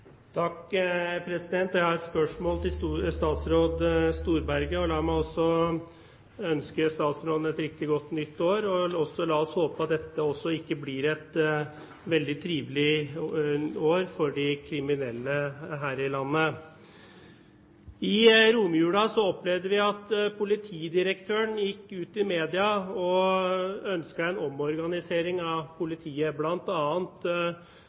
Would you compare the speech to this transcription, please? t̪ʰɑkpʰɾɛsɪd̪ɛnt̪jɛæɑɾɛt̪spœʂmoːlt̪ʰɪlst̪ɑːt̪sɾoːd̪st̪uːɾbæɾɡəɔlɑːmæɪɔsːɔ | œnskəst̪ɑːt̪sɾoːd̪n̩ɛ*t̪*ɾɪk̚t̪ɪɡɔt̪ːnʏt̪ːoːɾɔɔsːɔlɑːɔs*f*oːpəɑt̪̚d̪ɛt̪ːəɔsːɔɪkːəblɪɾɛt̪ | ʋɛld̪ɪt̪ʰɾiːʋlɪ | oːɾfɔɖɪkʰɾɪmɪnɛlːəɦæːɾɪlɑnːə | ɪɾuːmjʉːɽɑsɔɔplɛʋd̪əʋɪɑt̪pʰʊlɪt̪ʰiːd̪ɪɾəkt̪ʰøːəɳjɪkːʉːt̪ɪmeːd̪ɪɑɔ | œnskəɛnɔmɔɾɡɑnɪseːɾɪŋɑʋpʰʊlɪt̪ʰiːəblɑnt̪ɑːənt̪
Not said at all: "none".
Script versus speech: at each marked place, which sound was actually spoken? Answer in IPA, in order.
t̪, h

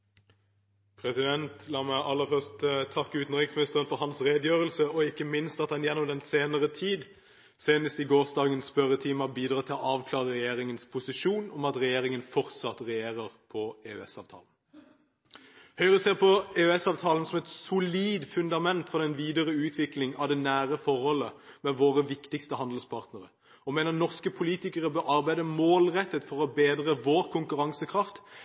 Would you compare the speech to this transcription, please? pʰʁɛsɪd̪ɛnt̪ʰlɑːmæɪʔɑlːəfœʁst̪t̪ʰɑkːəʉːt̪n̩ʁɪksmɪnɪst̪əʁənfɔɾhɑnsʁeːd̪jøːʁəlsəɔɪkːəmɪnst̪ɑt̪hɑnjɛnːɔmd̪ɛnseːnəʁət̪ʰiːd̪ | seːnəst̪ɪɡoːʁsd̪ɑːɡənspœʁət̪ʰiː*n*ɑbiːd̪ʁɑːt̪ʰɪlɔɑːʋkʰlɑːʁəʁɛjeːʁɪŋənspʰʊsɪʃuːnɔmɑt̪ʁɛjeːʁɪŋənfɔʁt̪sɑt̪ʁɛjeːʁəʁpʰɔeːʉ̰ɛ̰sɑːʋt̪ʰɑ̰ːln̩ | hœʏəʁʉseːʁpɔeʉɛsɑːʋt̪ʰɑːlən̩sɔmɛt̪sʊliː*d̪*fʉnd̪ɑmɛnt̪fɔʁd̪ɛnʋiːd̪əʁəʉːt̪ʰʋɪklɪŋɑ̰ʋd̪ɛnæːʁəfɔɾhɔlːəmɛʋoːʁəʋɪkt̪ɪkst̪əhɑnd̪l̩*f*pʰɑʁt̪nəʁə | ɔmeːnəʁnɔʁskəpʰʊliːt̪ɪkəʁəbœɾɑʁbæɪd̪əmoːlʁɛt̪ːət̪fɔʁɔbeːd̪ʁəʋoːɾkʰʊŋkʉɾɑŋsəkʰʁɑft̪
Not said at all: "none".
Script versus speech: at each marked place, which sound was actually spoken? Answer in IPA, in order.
m, d̪, s

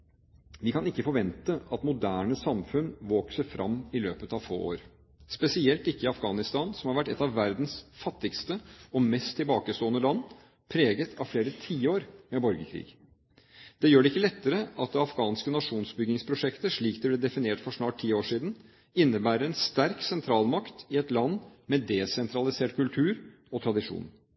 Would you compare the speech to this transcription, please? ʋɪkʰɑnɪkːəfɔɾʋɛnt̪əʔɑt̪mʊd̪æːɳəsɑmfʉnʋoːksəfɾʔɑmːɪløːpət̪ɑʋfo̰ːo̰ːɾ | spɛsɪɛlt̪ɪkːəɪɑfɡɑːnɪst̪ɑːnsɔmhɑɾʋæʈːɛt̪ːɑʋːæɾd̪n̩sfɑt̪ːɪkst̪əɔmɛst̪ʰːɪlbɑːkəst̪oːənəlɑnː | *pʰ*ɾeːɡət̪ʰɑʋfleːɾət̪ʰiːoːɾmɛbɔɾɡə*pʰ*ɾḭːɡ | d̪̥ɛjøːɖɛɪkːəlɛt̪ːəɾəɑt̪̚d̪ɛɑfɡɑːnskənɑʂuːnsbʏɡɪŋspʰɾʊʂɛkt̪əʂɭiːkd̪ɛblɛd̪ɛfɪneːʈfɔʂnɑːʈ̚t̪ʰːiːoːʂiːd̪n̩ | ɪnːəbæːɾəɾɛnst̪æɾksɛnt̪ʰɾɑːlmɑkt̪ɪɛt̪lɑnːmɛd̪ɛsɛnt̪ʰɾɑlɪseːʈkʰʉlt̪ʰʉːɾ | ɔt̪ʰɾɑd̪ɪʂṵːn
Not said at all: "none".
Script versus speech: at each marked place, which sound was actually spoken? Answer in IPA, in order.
pʰ, kʰ

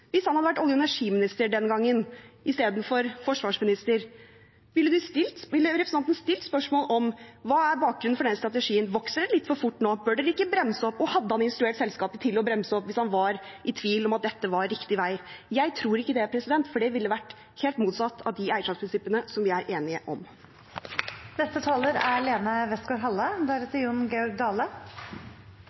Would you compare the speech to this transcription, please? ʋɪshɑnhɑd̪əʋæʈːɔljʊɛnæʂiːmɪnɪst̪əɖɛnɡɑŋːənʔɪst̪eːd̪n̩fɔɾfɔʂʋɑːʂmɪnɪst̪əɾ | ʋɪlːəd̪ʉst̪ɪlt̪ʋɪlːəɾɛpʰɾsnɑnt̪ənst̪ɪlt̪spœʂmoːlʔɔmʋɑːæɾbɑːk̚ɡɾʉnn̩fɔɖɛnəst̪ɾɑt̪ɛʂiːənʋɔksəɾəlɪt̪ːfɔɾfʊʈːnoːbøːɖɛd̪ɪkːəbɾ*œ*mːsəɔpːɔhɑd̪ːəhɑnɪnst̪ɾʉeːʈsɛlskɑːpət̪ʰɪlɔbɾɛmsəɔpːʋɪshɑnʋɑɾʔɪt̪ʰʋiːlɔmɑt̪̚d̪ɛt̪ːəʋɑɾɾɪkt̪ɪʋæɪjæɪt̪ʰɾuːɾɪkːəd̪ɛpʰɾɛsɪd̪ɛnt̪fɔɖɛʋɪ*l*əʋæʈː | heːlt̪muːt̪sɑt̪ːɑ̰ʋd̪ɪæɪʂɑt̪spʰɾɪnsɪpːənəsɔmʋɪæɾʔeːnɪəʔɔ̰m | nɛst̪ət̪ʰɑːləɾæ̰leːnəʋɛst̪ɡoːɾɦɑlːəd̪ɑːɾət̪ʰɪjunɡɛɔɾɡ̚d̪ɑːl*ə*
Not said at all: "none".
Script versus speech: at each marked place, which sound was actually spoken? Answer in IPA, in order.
ɛ, lː, ə

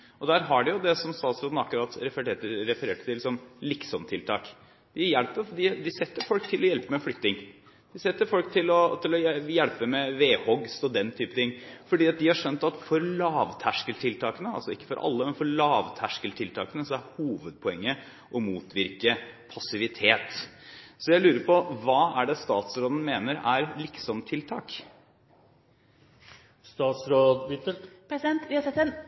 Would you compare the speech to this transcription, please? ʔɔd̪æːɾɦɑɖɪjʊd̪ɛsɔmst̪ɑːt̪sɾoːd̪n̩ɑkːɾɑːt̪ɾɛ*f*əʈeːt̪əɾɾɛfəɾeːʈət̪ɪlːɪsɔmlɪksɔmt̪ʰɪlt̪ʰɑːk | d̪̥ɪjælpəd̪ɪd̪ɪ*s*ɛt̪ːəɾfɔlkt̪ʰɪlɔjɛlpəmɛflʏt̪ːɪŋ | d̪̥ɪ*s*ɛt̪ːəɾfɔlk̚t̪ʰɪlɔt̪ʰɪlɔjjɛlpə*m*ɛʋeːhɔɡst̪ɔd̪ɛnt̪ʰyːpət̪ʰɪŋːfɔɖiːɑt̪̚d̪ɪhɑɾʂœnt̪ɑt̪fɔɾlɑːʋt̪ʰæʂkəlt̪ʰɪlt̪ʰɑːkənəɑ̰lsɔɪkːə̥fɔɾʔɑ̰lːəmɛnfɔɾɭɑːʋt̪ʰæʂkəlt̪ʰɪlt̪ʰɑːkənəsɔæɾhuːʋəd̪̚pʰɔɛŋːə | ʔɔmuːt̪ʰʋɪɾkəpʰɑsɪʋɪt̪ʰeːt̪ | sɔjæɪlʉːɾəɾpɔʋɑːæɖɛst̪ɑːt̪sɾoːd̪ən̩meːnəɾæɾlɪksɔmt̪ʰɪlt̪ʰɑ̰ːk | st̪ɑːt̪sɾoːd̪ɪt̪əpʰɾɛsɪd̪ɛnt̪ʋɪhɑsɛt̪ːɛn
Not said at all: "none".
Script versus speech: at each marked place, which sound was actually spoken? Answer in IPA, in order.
f, s, s, m

